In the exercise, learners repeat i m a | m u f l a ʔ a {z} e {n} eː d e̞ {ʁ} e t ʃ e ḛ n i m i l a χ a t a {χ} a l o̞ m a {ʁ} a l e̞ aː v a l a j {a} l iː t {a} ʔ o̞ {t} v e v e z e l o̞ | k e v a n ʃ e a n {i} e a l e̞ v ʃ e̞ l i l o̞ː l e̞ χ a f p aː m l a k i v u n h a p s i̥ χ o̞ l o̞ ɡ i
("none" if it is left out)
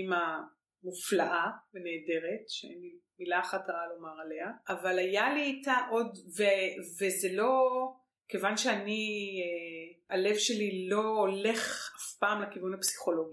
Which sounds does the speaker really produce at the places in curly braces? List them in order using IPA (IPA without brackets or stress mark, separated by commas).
v, n, ʁ, ʁ, ʁ, a, a, d, i